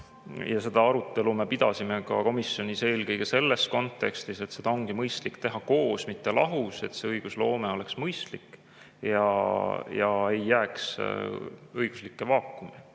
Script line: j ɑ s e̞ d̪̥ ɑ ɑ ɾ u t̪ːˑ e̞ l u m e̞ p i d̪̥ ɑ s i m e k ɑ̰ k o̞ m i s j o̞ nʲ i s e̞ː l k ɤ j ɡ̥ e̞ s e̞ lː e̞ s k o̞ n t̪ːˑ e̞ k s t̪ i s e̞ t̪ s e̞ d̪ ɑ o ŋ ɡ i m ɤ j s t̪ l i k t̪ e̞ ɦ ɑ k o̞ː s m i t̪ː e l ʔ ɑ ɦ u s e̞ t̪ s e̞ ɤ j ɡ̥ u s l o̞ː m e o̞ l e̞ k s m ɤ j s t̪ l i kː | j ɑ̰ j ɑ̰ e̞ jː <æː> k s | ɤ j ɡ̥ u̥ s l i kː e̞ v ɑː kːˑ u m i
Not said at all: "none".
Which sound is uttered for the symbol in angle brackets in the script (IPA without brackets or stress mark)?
æː